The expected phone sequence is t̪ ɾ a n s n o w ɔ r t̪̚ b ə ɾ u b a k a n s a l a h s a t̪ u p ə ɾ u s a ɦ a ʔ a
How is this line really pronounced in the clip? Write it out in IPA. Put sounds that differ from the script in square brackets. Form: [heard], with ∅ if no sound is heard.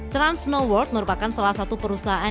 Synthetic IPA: t̪ ɾ a n s n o w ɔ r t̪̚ [m] ə ɾ u [p] a k a n s a l a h s a t̪ u p ə ɾ u s a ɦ a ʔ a